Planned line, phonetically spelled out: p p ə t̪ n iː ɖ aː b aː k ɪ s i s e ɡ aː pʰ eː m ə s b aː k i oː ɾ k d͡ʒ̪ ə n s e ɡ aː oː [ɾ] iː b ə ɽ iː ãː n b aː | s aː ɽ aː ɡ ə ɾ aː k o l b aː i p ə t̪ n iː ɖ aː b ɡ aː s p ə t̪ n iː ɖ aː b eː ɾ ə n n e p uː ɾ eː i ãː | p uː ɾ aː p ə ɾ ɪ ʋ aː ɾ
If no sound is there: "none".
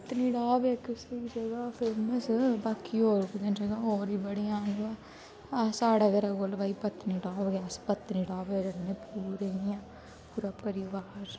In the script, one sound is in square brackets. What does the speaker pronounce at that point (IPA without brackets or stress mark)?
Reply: ɾ